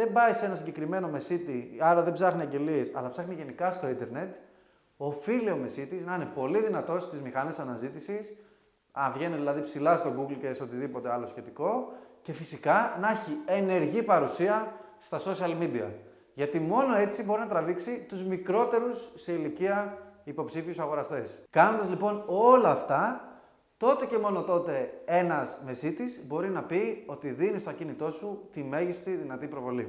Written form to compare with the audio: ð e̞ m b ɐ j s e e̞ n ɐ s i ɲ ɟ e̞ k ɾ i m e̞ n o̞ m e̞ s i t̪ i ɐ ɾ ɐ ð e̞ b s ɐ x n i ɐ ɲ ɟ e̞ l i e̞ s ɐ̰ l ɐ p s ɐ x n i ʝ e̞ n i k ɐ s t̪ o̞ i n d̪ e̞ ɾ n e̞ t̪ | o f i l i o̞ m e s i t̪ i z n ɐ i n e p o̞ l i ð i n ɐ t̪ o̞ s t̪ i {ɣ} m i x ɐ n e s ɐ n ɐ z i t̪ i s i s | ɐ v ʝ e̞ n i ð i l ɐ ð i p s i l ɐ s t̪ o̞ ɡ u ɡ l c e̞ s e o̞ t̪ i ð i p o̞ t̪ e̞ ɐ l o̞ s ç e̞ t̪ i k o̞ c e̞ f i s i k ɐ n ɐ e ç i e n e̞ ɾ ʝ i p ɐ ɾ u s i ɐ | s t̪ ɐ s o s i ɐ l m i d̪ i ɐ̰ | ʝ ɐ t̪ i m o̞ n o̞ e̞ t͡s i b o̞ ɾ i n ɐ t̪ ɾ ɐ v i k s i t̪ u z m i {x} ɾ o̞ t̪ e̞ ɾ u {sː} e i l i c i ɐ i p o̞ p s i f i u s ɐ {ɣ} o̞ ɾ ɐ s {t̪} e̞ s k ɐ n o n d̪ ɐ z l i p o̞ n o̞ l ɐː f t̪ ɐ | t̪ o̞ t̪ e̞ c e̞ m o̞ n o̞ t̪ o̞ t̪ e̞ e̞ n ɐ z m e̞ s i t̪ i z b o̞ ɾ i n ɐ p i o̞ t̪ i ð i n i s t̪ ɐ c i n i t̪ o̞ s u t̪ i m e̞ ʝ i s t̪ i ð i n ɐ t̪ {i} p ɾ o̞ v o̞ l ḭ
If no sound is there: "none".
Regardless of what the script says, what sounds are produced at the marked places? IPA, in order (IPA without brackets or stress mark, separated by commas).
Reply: z, k, sː, ɣ, t̪, i